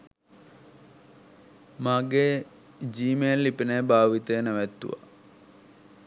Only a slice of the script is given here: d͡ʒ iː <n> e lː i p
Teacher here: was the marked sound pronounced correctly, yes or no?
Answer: no